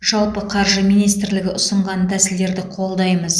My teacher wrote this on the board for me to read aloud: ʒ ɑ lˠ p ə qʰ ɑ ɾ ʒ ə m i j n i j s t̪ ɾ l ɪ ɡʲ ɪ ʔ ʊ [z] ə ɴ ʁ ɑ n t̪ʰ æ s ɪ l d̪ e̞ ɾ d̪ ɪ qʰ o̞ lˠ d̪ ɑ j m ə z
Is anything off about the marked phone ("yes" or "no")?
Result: yes